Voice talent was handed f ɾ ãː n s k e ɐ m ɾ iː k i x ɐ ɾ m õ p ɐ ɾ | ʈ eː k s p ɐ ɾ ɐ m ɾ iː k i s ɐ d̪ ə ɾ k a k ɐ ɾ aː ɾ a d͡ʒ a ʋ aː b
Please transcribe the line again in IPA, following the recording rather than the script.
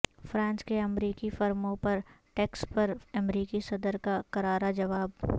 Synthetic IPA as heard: f ɾ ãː n s k e ɐ m ɾ iː k i f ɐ ɾ m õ p ɐ ɾ | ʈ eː k s p ɐ ɾ ɐ m ɾ iː k i s ɐ d̪ ə ɾ k a k ɐ ɾ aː ɾ a d͡ʒ ɐ ʋ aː b